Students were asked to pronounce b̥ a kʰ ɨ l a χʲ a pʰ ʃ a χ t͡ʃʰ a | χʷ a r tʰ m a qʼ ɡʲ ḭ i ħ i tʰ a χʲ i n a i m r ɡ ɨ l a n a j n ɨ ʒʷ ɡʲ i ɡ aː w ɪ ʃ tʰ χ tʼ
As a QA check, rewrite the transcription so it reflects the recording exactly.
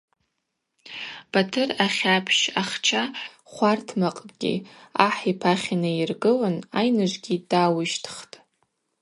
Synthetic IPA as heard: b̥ a tʰ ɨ r a χʲ a pʰ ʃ a χ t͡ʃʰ a | χʷ a r tʰ m a qʼ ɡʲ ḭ a ħ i pʰ a χʲ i n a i r ɡ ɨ l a n a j n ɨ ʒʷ ɡʲ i d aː w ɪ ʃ tʰ χ tʼ